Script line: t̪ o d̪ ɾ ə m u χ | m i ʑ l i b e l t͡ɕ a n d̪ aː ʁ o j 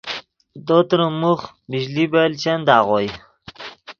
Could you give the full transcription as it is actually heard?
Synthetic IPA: d̪ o t̪ ɾ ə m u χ | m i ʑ l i b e l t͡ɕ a n d̪ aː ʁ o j